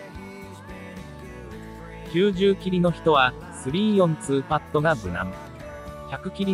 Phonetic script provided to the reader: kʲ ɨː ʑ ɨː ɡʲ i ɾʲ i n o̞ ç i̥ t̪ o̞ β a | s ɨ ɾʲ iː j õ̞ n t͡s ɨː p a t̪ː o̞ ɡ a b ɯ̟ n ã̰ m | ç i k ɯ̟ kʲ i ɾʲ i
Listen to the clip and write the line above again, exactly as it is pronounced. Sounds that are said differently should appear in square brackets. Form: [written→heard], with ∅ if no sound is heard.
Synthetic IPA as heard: kʲ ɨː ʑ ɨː [ɡʲ→kʲ] i ɾʲ i n o̞ ç i̥ t̪ o̞ β a | s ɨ ɾʲ iː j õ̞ n t͡s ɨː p a t̪ː o̞ ɡ a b ɯ̟ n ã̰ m | ç [i→a] k ɯ̟ kʲ i ɾʲ i